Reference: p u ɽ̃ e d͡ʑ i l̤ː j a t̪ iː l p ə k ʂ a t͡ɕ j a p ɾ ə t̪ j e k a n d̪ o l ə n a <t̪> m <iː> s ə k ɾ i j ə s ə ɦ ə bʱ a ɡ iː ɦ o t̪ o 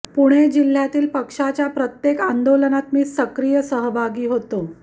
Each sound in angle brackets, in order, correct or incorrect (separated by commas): correct, correct